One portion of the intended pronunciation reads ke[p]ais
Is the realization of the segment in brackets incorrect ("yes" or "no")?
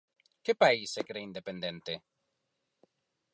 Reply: no